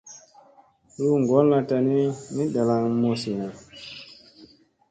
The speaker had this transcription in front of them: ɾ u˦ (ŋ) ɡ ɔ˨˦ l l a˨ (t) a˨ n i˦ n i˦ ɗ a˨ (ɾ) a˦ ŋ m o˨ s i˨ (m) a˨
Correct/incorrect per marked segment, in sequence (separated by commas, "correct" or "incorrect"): correct, correct, incorrect, incorrect